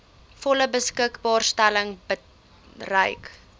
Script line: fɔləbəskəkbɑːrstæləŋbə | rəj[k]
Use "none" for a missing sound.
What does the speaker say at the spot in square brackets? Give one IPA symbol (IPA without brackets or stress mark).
k